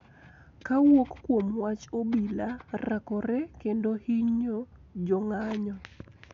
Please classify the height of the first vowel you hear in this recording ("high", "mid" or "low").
low